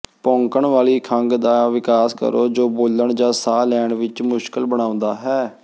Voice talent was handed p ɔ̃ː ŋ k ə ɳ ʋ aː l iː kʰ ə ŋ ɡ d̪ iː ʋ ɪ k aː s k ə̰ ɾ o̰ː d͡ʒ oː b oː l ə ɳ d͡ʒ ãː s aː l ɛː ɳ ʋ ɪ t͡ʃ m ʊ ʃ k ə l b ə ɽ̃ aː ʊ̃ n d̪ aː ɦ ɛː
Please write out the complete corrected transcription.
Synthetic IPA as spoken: p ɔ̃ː ŋ k ə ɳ ʋ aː l iː kʰ ə ŋ ɡ d̪ aː ʋ ɪ k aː s k ə̰ ɾ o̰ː d͡ʒ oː b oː l ə ɳ d͡ʒ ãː s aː l ɛː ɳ ʋ ɪ t͡ʃ m ʊ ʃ k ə l b ə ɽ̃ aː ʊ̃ n d̪ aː ɦ ɛː